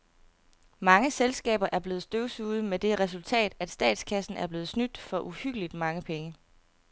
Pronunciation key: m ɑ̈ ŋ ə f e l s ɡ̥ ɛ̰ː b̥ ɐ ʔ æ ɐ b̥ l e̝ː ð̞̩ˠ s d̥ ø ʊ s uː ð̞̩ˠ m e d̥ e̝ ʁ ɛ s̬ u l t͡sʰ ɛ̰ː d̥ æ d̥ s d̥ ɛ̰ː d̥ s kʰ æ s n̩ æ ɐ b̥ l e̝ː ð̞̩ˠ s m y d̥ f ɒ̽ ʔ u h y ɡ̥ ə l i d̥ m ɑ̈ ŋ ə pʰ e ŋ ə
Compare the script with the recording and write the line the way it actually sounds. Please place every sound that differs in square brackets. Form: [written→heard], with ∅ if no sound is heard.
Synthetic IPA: m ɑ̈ ŋ ə [f→s] e l s ɡ̥ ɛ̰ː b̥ ɐ ʔ æ ɐ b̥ l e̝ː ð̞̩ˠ s d̥ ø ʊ s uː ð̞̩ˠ m e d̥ e̝ ʁ ɛ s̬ u l t͡sʰ ɛ̰ː d̥ æ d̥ s d̥ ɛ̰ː d̥ s kʰ æ s n̩ æ ɐ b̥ l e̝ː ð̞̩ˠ s [m→n] y d̥ f ɒ̽ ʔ u h y ɡ̥ ə l i d̥ m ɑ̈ ŋ ə pʰ e ŋ ə

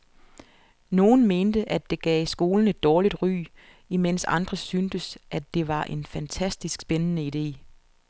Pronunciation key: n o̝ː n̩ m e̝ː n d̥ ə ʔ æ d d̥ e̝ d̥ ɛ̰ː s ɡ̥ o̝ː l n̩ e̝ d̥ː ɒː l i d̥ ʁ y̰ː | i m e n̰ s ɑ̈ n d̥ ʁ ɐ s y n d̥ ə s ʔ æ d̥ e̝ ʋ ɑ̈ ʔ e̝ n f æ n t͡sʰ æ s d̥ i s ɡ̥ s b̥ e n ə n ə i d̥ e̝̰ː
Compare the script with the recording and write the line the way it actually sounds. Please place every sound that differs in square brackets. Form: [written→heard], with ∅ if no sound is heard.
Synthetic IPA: n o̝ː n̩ m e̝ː n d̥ ə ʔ æ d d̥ e̝ [d̥→ɡ̥] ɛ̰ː s ɡ̥ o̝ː l n̩ e̝ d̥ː ɒː l i d̥ ʁ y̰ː | i m e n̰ s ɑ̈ n d̥ ʁ ɐ s y n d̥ ə s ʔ æ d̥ e̝ ʋ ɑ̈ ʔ e̝ n f æ n t͡sʰ æ s d̥ i s ɡ̥ s b̥ e n ə n ə i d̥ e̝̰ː

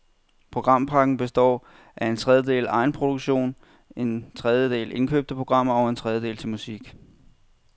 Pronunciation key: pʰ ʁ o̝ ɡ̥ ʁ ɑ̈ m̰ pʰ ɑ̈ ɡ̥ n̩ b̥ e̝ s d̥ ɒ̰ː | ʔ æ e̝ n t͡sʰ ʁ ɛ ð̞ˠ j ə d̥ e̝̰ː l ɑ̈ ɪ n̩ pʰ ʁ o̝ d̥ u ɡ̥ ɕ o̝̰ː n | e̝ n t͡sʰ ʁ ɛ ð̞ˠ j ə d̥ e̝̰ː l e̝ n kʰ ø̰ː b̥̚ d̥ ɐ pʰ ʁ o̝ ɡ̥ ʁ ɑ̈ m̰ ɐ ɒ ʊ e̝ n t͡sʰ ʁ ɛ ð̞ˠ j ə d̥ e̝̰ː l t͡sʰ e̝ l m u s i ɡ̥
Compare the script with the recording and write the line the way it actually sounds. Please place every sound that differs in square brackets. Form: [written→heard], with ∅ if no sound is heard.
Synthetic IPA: pʰ ʁ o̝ ɡ̥ ʁ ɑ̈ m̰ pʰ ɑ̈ ɡ̥ n̩ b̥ e̝ s d̥ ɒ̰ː | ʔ æ e̝ n t͡sʰ ʁ ɛ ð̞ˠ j ə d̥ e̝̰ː l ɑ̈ ɪ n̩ pʰ ʁ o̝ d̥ u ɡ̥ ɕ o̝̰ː n | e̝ n t͡sʰ ʁ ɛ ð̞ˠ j ə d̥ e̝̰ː l e̝ n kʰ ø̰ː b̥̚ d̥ [ɐ→ə] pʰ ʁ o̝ ɡ̥ ʁ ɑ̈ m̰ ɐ ɒ ʊ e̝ n t͡sʰ ʁ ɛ ð̞ˠ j ə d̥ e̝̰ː l t͡sʰ e̝ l m u s i ɡ̥

